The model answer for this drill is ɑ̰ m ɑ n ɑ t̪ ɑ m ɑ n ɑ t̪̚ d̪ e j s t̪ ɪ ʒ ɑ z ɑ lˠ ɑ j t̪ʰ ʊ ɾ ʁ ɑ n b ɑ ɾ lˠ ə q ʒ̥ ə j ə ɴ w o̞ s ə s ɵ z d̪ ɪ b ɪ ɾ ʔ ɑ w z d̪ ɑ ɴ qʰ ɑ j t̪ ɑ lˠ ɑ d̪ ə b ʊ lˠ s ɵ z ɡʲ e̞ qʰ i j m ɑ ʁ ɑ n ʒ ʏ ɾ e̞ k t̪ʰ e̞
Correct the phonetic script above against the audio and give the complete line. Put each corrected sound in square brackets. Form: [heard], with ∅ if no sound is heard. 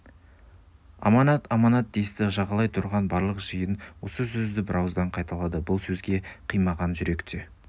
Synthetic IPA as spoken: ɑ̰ m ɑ n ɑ t̪ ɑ m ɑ n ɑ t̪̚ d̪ e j s t̪ ɪ ʒ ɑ [ʁ] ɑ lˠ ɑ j t̪ʰ ʊ ɾ ʁ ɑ n b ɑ ɾ lˠ ə q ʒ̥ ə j ə [n] w o̞ s ə s ɵ z d̪ ɪ b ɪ ɾ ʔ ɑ w z d̪ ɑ ɴ qʰ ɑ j t̪ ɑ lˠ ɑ d̪ ə b ʊ lˠ s ɵ z ɡʲ e̞ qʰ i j m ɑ ʁ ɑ n ʒ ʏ ɾ e̞ k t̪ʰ e̞

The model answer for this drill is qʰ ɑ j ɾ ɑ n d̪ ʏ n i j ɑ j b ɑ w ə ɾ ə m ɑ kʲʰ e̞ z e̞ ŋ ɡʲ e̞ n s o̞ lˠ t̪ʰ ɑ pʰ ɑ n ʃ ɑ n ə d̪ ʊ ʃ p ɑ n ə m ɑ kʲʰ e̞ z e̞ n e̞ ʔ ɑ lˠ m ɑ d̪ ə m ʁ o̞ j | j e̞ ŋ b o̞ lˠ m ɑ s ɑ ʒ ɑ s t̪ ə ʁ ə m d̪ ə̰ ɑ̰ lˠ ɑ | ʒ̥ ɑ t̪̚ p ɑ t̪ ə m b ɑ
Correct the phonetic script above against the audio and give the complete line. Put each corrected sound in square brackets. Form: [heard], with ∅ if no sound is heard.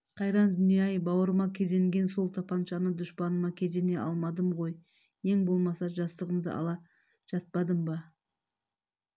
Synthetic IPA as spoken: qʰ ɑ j ɾ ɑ n d̪ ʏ n i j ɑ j b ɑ w ə ɾ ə m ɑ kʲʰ e̞ z e̞ ŋ ɡʲ e̞ n s o̞ lˠ t̪ʰ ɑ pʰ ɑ n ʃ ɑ n ə d̪ ʊ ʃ p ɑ n ə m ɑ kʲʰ e̞ z e̞ n e̞ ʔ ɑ lˠ m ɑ d̪ ə m ʁ o̞ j | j e̞ ŋ b o̞ lˠ m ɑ s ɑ ʒ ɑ s t̪ ə ʁ ə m d̪ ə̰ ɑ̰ lˠ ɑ | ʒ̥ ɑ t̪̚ p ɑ [d̪] ə m b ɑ

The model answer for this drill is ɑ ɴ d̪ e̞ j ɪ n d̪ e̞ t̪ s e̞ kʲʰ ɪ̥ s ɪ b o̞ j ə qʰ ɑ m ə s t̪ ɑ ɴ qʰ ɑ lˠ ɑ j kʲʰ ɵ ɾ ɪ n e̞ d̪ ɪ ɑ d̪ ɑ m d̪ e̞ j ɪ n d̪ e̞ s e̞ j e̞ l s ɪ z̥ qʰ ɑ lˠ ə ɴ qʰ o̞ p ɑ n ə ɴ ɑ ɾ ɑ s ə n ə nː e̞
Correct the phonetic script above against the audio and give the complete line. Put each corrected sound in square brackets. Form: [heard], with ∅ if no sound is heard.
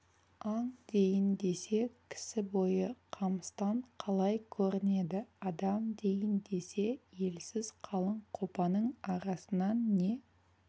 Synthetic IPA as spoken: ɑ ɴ d̪ e̞ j ɪ n d̪ e̞ [∅] s e̞ kʲʰ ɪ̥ s ɪ b o̞ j ə qʰ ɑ m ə s t̪ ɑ ɴ qʰ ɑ lˠ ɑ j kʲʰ ɵ ɾ ɪ n e̞ d̪ ɪ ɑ d̪ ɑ m d̪ e̞ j ɪ n d̪ e̞ s e̞ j e̞ l s ɪ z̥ qʰ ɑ lˠ ə ɴ qʰ o̞ p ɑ n ə ɴ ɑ ɾ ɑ s ə n [ɑ] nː e̞

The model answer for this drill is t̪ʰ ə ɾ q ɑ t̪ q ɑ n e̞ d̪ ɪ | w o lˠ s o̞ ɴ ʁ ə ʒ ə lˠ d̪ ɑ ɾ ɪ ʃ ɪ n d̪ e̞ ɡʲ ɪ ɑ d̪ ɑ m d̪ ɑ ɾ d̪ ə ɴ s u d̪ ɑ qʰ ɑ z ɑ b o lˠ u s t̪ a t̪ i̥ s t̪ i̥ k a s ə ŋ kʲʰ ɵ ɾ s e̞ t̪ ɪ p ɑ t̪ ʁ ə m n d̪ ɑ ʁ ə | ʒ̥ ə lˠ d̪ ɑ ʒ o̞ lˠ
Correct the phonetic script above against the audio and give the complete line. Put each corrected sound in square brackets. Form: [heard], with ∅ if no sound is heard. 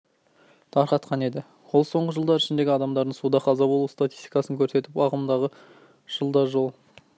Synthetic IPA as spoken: t̪ʰ [ɑ] ɾ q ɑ t̪ q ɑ n e̞ d̪ ɪ | w o lˠ s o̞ ɴ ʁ ə ʒ ə lˠ d̪ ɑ ɾ ɪ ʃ ɪ n d̪ e̞ ɡʲ ɪ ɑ d̪ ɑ m d̪ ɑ ɾ d̪ ə ɴ s u d̪ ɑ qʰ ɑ z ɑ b o lˠ u s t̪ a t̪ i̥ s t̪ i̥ k [ɑ] s ə ŋ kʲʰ ɵ ɾ s e̞ t̪ ɪ p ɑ [∅] ʁ ə m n d̪ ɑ ʁ ə | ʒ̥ ə lˠ d̪ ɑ ʒ o̞ lˠ

